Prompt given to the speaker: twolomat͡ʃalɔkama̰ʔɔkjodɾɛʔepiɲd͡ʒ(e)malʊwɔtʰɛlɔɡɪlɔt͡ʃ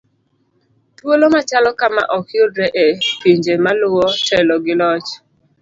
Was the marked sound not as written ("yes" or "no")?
no